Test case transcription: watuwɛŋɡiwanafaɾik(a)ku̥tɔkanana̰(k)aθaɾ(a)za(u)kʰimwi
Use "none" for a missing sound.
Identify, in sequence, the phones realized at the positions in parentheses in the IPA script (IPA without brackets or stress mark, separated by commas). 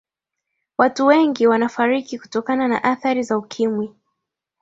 i, ʔ, i, u